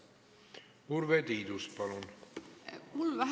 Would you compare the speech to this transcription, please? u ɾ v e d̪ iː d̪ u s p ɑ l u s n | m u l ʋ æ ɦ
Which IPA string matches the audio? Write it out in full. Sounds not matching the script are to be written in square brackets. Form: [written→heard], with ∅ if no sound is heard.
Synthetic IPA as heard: u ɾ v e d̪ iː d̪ u s p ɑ l u [s→∅] n | m u l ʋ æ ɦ